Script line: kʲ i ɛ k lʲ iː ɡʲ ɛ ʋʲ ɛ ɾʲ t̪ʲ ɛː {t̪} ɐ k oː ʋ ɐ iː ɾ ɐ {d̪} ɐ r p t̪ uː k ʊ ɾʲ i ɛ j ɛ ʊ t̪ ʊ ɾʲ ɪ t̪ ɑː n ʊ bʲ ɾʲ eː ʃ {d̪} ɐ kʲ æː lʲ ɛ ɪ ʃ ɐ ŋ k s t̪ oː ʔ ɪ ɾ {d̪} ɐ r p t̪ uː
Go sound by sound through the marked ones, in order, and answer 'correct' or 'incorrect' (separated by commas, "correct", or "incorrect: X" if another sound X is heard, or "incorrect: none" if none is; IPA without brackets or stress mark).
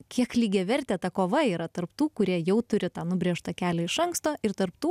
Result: correct, incorrect: t̪, incorrect: t̪, incorrect: t̪